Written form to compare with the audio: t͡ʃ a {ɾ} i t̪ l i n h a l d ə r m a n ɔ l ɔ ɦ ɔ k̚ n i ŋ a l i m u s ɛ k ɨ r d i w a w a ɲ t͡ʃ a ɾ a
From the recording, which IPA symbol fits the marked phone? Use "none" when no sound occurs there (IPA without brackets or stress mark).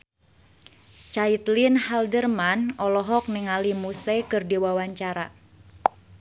none